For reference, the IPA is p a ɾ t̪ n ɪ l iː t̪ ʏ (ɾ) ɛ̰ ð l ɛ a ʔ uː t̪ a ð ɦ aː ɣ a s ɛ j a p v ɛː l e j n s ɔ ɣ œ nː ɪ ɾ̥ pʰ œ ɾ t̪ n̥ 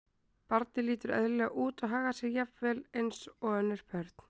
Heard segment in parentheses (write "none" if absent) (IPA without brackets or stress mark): ɾ